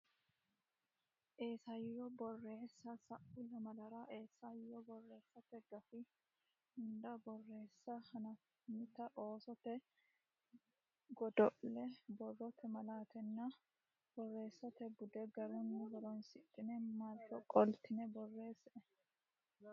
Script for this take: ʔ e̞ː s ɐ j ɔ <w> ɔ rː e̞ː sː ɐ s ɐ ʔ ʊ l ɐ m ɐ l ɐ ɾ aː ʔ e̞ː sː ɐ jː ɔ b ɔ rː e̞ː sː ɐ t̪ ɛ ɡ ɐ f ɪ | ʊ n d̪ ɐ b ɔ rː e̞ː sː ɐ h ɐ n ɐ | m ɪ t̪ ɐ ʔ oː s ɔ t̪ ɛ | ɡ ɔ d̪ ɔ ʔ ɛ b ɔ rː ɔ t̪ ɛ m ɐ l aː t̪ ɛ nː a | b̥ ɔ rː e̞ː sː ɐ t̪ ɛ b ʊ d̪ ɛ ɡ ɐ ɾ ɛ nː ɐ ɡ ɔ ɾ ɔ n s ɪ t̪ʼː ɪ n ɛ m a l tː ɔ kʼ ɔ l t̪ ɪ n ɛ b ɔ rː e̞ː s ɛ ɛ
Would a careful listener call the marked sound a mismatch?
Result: yes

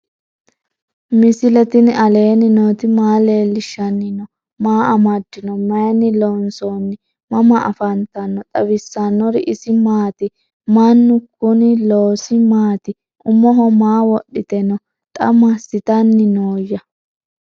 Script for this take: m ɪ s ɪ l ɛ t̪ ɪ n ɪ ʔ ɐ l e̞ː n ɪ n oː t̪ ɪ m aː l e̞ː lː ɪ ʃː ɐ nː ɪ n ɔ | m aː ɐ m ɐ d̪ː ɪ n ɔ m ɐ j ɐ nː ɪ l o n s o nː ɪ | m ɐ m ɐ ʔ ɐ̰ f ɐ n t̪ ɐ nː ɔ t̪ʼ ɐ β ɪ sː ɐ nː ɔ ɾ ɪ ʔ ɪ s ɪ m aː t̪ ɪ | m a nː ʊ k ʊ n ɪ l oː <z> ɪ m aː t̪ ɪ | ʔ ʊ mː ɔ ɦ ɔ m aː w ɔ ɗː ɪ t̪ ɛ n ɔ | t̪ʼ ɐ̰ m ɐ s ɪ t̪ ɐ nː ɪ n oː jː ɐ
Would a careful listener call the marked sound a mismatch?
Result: yes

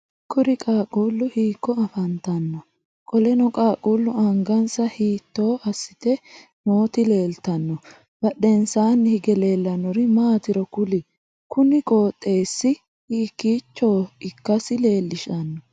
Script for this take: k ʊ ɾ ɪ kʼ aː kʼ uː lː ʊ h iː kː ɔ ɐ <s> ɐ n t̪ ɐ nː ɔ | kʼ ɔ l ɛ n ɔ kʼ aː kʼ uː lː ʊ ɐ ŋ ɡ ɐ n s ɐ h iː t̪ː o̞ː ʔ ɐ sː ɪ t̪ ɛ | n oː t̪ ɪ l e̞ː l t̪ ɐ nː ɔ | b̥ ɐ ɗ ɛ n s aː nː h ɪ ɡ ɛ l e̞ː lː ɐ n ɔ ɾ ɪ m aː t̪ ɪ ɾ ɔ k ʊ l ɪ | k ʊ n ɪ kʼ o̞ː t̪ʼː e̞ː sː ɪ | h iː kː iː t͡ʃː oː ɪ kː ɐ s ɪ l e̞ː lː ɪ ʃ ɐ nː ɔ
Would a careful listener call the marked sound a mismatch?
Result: yes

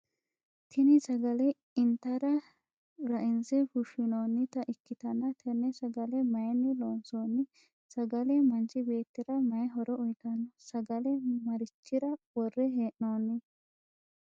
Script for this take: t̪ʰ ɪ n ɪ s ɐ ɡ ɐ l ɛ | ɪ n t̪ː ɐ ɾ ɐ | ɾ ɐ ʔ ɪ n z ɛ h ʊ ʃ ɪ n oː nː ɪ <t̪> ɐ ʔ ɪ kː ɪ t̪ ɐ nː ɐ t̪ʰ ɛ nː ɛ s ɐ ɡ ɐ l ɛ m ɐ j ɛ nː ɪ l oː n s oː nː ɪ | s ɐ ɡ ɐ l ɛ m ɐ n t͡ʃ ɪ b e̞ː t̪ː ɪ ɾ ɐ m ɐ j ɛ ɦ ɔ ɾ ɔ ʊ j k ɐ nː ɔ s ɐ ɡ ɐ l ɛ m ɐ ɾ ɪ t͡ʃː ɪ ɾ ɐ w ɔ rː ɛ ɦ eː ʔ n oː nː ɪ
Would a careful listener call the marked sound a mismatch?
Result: no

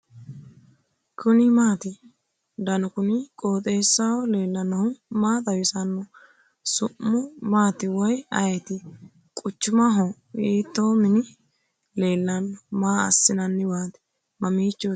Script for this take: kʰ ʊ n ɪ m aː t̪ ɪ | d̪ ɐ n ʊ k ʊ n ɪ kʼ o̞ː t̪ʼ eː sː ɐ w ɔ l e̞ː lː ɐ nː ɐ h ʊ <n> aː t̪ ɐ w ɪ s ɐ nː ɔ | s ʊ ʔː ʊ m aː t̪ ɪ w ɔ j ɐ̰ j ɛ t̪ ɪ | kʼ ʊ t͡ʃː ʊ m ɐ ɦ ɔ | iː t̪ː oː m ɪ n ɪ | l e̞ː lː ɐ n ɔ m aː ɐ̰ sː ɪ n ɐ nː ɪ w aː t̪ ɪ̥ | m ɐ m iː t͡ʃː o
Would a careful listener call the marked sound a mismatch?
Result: yes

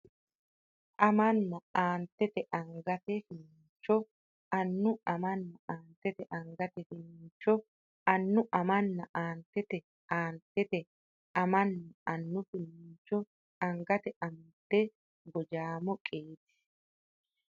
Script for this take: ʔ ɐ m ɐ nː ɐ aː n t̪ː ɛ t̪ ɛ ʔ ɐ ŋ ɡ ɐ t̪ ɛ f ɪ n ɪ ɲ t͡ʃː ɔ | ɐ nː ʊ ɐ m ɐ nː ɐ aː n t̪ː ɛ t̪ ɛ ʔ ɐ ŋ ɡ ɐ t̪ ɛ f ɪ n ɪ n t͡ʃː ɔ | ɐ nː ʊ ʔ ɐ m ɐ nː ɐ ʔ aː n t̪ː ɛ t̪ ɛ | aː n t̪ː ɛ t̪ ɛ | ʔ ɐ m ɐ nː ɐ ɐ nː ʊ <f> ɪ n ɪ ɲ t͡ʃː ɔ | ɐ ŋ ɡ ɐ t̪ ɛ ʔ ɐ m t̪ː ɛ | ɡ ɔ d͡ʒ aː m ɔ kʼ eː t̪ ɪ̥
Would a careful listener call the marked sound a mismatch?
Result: no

